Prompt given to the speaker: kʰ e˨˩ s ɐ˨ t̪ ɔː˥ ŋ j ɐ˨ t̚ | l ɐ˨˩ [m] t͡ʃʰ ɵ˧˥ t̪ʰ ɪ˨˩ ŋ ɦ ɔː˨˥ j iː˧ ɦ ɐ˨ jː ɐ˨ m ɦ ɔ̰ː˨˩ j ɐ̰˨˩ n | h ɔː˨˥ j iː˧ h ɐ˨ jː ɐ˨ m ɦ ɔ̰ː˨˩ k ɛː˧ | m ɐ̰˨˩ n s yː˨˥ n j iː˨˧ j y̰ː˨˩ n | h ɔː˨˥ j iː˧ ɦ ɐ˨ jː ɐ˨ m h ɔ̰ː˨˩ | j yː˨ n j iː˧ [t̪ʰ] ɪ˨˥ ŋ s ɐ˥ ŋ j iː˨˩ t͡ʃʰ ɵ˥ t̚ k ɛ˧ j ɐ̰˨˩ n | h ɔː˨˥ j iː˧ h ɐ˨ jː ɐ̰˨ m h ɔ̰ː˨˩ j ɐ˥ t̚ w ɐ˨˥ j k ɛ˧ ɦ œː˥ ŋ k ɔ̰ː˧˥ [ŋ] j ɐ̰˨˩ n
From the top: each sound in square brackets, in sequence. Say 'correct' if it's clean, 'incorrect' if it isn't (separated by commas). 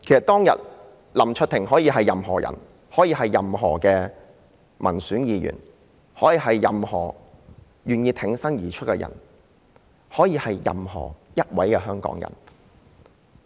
correct, correct, correct